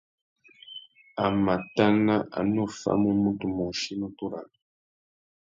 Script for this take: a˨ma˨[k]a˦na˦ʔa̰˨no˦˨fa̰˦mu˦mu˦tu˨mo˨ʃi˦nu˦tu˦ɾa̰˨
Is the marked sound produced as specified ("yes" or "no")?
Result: no